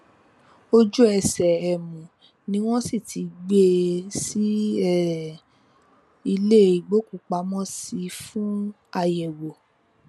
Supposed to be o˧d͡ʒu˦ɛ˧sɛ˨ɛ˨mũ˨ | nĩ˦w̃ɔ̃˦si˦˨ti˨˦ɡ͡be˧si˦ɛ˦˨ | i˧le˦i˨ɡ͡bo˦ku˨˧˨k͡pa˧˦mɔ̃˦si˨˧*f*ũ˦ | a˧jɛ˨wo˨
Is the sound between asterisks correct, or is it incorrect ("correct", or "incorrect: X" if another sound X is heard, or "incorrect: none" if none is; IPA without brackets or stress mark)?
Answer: correct